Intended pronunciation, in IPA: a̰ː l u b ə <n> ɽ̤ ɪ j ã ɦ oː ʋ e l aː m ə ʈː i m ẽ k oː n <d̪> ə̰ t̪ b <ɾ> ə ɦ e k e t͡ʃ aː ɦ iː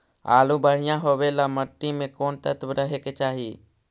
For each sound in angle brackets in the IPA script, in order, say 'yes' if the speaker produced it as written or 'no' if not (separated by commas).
no, no, yes